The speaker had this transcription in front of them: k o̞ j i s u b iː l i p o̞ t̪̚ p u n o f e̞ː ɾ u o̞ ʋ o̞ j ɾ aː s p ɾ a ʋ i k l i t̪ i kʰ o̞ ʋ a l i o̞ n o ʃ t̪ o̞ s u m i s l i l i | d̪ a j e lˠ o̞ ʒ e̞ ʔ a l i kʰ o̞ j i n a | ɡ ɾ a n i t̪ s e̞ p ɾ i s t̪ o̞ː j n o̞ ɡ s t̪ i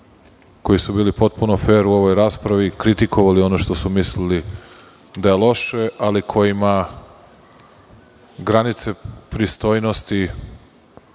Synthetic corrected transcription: k o̞ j i s u b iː l i p o̞ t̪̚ p u n o f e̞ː ɾ u o̞ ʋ o̞ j ɾ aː s p ɾ a ʋ i k ɾ i t̪ i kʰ o̞ ʋ a l i o̞ n o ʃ t̪ o̞ s u m i s l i l i | d̪ a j e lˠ o̞ ʃ e̞ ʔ a l i kʰ o̞ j i m a | ɡ ɾ a n i t̪ s e̞ p ɾ i s t̪ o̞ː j n o̞ s t̪ i